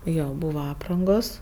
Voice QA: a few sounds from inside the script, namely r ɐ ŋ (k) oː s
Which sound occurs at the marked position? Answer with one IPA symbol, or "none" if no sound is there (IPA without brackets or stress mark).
ɡ